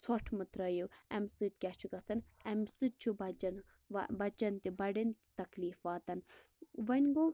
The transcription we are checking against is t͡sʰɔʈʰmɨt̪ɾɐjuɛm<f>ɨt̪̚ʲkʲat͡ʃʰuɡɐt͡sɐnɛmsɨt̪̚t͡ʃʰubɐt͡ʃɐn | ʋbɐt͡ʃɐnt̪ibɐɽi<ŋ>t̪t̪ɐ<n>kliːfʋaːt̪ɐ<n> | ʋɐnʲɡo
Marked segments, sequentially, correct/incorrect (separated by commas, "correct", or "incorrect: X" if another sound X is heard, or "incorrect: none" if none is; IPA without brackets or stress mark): incorrect: s, incorrect: n, incorrect: none, correct